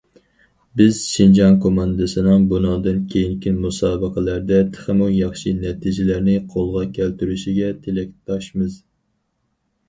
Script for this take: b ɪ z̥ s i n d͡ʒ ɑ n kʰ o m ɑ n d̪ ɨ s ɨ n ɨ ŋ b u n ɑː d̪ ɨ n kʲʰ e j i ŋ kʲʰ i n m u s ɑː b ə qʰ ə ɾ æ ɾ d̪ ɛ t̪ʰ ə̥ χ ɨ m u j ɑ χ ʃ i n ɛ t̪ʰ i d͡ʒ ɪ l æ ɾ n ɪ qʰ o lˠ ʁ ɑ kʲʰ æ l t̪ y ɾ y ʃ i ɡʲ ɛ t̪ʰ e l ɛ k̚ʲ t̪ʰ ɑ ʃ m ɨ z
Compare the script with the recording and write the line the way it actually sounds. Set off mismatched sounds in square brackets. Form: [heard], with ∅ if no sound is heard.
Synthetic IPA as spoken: b ɪ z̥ [ʃ] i n d͡ʒ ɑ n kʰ o m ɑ n d̪ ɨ s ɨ n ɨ ŋ b u n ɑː d̪ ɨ n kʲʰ e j i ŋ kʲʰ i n m u s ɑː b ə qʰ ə [l] æ ɾ d̪ ɛ t̪ʰ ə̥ χ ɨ m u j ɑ χ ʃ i n ɛ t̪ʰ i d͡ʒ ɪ l æ ɾ n ɪ qʰ o lˠ ʁ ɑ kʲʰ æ l t̪ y ɾ y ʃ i ɡʲ ɛ t̪ʰ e l ɛ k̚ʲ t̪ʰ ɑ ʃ m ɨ z